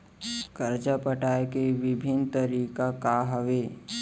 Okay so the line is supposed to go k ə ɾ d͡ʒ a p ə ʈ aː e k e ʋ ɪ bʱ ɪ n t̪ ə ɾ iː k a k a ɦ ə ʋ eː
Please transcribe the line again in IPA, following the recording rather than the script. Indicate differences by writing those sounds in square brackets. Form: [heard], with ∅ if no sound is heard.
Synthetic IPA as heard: k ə ɾ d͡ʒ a p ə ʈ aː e k e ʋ ɪ bʱ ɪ n t̪ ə ɾ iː k a k a ɦ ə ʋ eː